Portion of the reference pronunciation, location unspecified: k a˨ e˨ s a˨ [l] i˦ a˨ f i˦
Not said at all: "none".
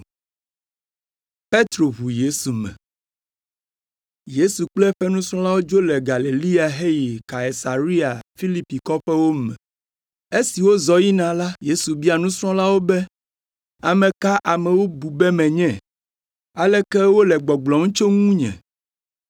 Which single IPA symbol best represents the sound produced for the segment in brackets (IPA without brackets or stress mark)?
ɾ